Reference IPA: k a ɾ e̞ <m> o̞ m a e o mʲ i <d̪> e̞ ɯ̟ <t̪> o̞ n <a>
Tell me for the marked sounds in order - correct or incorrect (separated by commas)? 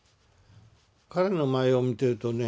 incorrect, incorrect, correct, incorrect